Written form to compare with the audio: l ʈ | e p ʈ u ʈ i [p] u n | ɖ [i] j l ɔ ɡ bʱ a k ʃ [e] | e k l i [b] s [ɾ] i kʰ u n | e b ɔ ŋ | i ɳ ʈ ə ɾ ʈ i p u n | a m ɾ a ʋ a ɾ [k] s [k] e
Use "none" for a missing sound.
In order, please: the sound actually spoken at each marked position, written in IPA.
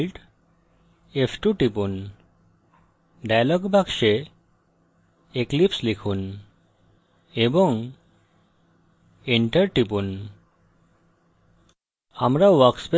p, a, e, p, l, k, p

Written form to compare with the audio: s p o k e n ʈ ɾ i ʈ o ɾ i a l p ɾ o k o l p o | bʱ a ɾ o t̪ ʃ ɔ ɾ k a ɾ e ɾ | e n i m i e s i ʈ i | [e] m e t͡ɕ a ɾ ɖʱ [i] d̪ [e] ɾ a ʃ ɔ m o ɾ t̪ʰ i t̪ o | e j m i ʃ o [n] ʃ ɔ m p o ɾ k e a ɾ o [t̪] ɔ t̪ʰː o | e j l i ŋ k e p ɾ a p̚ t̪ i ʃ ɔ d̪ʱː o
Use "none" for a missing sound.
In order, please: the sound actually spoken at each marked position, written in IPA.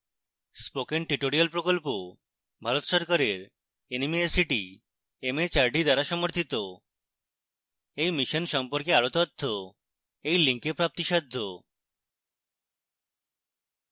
e, i, a, n, t̪

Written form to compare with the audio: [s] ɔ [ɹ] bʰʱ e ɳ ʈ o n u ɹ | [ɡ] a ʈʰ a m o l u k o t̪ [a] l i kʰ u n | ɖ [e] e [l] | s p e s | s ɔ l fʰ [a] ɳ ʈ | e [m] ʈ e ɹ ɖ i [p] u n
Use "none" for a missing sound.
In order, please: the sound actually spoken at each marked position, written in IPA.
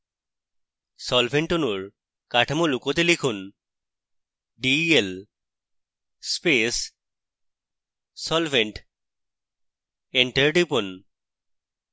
s, l, k, e, i, l, e, ɳ, p

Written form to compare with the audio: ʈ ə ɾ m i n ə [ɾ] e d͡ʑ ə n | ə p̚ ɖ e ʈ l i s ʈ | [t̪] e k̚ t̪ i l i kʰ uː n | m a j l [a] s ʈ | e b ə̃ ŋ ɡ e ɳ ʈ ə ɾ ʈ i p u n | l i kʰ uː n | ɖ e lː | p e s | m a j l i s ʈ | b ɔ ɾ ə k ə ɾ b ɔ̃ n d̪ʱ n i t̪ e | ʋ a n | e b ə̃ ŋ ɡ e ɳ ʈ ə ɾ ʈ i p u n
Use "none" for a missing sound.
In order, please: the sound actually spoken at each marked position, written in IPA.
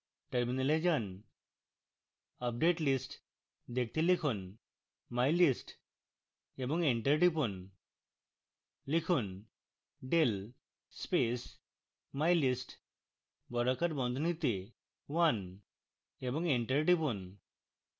l, d̪, i

